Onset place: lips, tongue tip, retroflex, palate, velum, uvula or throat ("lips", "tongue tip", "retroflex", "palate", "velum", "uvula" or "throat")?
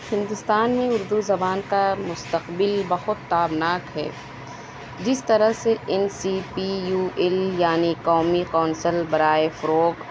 throat